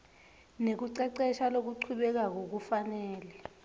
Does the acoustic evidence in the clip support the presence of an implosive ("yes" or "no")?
yes